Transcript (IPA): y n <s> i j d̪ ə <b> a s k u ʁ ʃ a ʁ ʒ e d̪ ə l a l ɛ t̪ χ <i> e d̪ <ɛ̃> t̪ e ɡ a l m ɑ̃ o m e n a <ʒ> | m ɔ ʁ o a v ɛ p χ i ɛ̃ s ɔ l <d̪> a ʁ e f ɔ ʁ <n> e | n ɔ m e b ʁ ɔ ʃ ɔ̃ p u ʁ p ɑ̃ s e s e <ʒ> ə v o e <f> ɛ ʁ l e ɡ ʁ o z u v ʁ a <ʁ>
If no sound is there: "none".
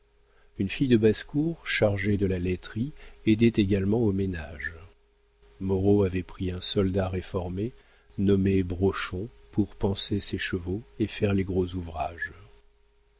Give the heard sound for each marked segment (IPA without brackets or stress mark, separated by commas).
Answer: f, b, i, ɛ, ʒ, d̪, m, ʃ, f, ʒ